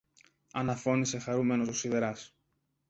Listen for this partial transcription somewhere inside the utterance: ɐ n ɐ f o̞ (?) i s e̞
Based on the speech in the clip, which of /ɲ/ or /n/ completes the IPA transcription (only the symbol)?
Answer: n